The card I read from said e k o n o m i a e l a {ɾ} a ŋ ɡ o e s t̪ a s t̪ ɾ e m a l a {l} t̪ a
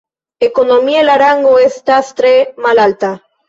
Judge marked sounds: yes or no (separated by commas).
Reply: yes, yes